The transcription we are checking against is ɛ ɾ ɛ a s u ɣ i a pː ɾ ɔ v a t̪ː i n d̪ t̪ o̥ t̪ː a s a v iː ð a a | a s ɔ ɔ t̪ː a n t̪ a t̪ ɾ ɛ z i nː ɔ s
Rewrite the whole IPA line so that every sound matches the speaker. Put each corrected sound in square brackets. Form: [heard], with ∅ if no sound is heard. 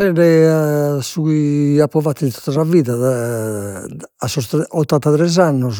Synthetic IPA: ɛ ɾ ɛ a s u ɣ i a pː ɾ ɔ v a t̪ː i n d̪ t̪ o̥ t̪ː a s a v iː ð a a | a s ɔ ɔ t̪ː a n t̪ a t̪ ɾ ɛ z [a] nː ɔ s